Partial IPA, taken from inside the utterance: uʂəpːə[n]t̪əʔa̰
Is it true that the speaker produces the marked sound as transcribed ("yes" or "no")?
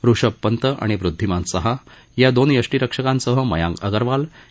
yes